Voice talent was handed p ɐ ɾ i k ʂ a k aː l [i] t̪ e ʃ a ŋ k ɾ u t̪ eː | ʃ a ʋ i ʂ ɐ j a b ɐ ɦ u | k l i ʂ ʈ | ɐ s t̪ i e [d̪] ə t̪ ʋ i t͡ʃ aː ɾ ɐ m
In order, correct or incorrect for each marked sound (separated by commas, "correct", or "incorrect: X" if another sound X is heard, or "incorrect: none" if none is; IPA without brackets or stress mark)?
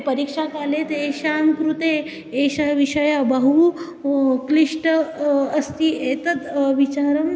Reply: incorrect: e, incorrect: t̪